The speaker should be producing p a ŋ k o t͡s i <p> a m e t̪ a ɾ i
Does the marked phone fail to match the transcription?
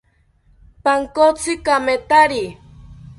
yes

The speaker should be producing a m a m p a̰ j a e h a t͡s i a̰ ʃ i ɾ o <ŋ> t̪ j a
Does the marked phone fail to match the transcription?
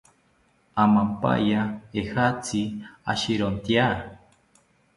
yes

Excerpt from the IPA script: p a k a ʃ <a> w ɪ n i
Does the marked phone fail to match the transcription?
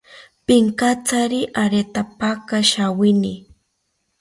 no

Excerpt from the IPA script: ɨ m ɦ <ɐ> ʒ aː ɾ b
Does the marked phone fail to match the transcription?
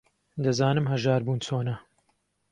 no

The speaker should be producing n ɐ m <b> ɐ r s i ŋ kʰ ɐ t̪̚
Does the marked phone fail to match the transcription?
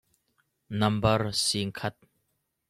no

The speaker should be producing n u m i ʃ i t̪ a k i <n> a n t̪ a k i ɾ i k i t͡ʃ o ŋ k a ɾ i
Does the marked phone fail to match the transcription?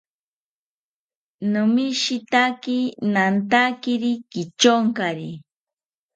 no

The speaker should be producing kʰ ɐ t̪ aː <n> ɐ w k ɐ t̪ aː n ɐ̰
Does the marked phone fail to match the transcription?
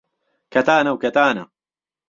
no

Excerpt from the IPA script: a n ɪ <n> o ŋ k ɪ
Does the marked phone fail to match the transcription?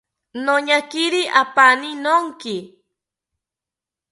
no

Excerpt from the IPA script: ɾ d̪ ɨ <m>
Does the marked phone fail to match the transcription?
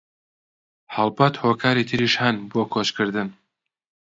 yes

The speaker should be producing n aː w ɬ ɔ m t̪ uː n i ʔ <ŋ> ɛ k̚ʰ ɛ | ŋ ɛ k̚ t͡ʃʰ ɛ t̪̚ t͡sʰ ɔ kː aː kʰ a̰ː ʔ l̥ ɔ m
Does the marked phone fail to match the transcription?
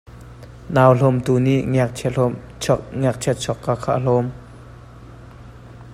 no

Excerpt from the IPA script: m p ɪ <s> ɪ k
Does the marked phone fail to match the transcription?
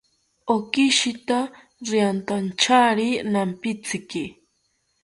yes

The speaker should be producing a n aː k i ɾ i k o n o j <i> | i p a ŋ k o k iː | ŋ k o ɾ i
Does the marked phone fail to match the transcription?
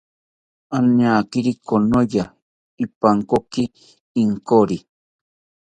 yes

